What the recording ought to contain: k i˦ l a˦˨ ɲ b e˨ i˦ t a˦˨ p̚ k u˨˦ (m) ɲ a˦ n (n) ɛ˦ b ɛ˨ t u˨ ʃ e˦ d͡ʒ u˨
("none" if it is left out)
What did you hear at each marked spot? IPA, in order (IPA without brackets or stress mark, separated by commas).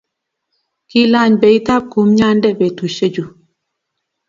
m, d